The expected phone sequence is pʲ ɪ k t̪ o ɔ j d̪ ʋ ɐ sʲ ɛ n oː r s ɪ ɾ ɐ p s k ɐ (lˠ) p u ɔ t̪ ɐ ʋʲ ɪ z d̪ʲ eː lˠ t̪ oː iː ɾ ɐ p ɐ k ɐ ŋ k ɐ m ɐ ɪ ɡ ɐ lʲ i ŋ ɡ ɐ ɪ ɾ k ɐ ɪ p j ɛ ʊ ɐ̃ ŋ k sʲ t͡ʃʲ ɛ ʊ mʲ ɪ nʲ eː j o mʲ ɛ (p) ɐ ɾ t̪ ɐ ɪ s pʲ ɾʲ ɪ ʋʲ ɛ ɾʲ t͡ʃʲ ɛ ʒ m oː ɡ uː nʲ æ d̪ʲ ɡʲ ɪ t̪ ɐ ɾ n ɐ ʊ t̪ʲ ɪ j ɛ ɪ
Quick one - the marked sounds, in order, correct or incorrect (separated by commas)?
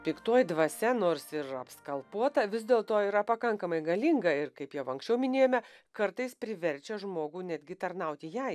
correct, incorrect